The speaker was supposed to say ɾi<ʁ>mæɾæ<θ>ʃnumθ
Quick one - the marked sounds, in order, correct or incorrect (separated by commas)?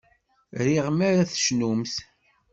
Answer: correct, correct